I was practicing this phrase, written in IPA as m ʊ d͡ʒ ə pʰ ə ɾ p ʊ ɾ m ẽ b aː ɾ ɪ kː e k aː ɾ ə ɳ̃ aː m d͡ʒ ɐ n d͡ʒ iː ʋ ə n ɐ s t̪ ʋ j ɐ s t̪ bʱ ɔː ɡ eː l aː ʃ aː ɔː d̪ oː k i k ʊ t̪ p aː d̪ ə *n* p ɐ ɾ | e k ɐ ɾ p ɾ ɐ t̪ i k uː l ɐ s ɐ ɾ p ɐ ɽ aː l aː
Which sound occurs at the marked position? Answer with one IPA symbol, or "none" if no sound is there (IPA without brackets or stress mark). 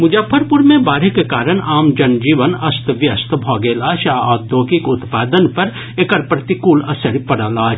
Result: n